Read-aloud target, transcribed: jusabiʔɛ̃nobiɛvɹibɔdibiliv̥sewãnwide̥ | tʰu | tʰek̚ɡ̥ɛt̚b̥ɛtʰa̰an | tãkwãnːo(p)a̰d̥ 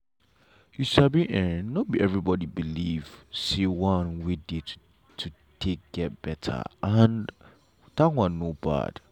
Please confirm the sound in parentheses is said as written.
no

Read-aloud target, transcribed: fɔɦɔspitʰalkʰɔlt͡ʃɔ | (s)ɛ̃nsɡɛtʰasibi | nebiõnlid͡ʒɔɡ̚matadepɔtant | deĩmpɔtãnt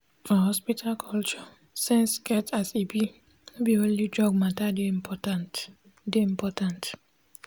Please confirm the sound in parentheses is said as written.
yes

